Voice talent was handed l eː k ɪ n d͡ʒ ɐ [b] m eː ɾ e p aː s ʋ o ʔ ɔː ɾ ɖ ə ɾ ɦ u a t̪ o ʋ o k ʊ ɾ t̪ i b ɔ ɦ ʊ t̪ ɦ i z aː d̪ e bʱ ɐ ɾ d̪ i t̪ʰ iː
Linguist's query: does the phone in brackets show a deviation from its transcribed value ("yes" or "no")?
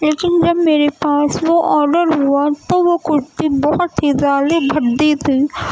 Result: no